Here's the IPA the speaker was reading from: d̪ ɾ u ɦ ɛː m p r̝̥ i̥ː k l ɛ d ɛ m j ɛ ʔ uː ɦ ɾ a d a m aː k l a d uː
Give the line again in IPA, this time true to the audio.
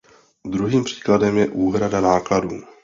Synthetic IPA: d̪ ɾ u ɦ iː m p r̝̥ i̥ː k l a d ɛ m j ɛ ʔ uː ɦ ɾ a d a n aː k l a d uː